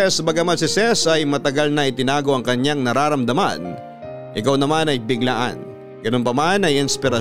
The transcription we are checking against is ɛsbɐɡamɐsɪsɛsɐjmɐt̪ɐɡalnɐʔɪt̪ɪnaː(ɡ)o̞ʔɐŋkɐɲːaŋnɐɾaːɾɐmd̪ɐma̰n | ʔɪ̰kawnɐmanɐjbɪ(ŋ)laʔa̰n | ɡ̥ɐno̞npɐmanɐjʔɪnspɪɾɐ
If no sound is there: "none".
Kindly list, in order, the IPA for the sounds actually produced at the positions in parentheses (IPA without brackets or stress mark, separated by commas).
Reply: ɡ, ɡ